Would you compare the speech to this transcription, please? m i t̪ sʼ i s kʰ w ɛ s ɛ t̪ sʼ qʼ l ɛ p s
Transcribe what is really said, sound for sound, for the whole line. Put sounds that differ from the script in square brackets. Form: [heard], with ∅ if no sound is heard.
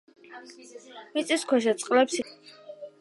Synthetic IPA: m i t̪ sʼ i s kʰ w ɛ [ʃ] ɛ t̪ sʼ qʼ l ɛ p s